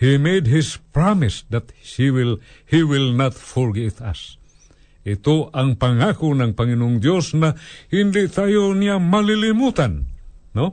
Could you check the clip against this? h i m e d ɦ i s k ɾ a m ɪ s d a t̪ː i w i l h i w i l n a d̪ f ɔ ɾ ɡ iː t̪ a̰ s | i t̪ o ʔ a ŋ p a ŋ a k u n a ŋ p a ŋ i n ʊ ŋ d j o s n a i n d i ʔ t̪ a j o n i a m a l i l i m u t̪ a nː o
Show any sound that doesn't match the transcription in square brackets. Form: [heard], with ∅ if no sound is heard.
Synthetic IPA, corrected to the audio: h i m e d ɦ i s [p] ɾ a m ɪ s d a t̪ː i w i l h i w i l n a [t̪] f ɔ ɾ ɡ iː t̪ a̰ s | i t̪ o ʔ a ŋ p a ŋ a k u n a ŋ p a ŋ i n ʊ ŋ d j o s n a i n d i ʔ t̪ a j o n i a m a l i l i m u t̪ a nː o